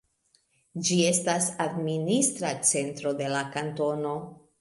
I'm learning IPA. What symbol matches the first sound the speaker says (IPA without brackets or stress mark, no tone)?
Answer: d͡ʒ